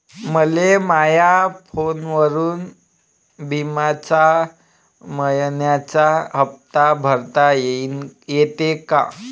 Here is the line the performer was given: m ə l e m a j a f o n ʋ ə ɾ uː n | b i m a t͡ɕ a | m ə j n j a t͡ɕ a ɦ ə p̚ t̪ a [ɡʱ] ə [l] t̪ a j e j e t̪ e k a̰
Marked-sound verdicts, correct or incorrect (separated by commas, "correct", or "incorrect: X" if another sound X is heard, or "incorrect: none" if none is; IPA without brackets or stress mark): incorrect: bʱ, incorrect: ɾ